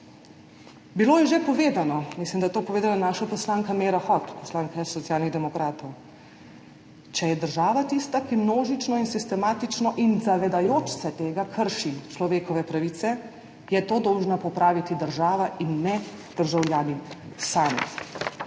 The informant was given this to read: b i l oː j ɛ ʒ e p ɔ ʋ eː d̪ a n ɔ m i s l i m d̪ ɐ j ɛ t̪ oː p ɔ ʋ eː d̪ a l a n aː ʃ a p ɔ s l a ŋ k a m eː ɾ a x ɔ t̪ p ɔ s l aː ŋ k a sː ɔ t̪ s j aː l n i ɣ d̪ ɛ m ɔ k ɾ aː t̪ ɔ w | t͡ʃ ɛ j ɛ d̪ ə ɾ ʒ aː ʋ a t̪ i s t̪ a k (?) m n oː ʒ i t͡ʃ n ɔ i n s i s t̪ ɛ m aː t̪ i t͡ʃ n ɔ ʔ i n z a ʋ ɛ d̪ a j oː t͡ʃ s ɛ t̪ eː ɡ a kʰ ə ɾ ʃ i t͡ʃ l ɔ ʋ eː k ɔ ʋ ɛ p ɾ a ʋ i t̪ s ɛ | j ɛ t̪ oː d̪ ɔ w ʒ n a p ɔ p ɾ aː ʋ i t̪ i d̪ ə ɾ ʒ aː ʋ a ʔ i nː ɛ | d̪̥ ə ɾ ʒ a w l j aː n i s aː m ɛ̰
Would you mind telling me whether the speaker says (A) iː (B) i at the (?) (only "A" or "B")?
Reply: B